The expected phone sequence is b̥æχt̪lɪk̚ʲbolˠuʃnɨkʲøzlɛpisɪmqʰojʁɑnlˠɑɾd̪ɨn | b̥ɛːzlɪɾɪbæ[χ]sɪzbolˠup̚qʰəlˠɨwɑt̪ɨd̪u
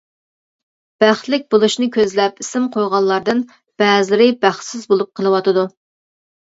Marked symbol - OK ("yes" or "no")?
yes